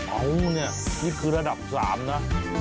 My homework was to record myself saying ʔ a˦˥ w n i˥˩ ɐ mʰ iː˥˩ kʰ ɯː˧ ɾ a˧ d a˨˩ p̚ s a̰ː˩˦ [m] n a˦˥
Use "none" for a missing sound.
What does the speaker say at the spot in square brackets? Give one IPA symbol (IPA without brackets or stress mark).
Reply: m